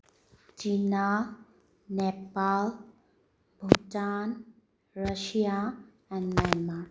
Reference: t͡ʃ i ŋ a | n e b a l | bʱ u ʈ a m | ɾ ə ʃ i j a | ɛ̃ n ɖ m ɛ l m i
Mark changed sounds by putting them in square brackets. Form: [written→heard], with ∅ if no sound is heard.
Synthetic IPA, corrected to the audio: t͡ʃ i [ŋ→n] a | n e [b→p] a l | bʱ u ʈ a [m→n] | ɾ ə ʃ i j a | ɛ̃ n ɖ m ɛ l m [i→a]